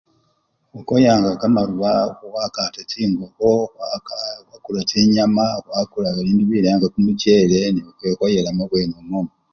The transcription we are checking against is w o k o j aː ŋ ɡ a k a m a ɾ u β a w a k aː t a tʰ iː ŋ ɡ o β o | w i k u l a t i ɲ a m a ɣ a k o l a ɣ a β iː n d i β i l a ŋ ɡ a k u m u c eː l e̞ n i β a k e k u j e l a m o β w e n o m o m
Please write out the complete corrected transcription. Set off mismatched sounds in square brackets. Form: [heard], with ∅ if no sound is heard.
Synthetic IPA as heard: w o k o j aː ŋ ɡ a k a m a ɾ u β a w a k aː t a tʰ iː ŋ ɡ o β o | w [a] k u l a t i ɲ a m a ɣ a k [u] l a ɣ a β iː n d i β i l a ŋ ɡ a k u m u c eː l e̞ n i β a k e k [o] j e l a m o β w e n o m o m

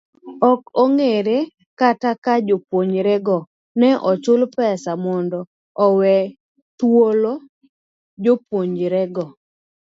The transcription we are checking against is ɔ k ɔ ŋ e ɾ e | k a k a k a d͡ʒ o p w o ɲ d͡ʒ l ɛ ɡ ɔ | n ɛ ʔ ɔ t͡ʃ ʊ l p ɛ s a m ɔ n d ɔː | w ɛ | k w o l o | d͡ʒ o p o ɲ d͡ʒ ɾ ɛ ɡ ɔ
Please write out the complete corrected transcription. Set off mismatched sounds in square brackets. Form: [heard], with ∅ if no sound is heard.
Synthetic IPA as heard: ɔ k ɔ ŋ e ɾ e | k a [t] a k a d͡ʒ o p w o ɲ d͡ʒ [ɾ] ɛ ɡ ɔ | n ɛ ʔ ɔ t͡ʃ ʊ l p ɛ s a m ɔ n d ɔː | w ɛ | [t] w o l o | d͡ʒ o p o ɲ d͡ʒ ɾ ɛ ɡ ɔ

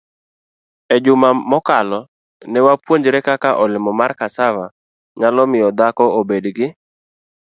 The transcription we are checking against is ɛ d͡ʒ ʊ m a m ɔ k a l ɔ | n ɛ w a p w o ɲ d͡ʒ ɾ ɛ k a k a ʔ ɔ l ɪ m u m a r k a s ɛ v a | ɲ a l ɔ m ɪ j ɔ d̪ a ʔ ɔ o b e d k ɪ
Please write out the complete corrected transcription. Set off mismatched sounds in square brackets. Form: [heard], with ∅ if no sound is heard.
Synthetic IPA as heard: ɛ d͡ʒ ʊ m a m ɔ k a l ɔ | n ɛ w a p w o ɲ d͡ʒ ɾ ɛ k a k a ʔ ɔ l ɪ m [ɔ] m a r k a s [a] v a | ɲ a l ɔ m ɪ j ɔ d̪ a [k] ɔ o b e d [ɡ] ɪ

